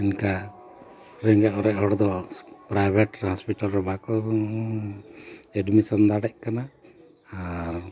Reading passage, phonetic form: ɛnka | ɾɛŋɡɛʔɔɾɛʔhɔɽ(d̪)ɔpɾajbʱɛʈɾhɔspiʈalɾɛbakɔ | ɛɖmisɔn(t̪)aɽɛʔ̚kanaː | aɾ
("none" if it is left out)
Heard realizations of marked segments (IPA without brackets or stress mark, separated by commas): d̪, d̪